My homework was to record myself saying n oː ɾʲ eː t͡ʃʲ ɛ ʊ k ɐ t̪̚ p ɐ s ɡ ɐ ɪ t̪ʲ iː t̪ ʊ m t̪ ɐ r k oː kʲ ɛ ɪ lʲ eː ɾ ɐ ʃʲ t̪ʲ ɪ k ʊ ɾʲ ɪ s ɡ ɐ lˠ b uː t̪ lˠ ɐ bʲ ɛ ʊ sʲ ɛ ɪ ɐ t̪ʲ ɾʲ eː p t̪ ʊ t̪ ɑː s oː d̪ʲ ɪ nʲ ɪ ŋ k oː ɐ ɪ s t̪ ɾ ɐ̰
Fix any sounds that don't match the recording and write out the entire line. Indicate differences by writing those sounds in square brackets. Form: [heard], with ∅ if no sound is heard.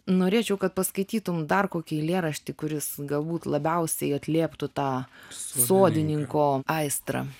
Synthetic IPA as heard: n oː ɾʲ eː t͡ʃʲ ɛ ʊ k ɐ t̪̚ p ɐ s [k] ɐ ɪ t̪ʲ iː t̪ ʊ m [d̪] ɐ r k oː kʲ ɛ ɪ lʲ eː ɾ ɐ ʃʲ t̪ʲ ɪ k ʊ ɾʲ ɪ s ɡ ɐ lˠ b uː t̪ lˠ ɐ bʲ ɛ ʊ sʲ ɛ ɪ ɐ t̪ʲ [lʲ] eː p t̪ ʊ t̪ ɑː s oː d̪ʲ ɪ nʲ ɪ ŋ k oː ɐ ɪ s t̪ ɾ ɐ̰